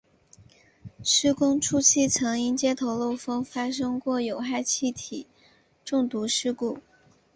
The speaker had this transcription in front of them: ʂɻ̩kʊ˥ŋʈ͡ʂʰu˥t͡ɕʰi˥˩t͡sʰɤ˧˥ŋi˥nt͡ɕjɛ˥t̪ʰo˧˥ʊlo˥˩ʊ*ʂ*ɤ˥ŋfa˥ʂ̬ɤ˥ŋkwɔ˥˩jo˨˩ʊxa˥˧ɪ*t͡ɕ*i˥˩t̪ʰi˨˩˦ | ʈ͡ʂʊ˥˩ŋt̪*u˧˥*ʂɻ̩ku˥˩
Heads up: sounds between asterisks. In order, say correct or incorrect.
incorrect: f, incorrect: t͡ɕʰ, correct

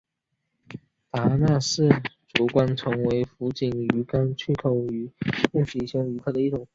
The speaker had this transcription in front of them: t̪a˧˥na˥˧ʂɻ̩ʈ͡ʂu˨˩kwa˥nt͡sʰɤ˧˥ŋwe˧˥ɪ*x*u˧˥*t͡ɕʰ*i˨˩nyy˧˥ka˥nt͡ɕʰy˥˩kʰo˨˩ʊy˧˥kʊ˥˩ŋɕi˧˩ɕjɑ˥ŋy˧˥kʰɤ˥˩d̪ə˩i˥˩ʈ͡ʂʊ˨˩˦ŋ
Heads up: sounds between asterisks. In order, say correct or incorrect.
incorrect: f, incorrect: t͡ɕ

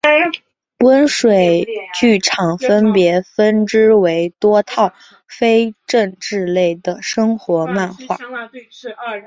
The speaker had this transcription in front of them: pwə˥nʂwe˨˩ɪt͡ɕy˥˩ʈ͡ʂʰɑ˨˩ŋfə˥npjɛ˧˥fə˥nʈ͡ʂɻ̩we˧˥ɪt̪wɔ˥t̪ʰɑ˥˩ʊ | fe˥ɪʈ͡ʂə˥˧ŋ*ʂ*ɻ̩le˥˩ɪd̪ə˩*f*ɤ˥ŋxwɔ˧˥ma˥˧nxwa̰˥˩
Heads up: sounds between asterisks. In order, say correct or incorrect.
incorrect: ʈ͡ʂ, incorrect: ʂ

